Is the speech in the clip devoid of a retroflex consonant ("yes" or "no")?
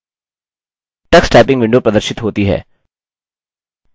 no